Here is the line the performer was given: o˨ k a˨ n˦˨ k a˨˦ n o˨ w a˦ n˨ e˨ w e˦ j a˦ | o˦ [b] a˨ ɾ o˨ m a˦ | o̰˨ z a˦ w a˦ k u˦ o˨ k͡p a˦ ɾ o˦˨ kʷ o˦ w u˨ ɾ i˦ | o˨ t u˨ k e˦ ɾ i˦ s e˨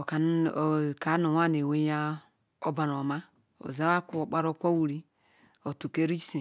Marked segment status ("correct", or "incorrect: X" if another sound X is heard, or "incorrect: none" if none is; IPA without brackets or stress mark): correct